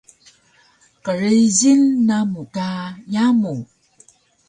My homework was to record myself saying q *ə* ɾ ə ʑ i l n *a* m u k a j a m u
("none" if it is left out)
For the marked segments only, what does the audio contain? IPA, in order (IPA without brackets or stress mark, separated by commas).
ə, a